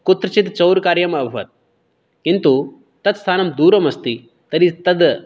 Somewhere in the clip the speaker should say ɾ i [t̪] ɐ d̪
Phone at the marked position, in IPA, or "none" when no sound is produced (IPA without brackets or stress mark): t̪